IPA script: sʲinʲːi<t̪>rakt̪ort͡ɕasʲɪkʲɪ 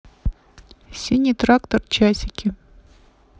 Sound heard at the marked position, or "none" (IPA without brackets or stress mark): t̪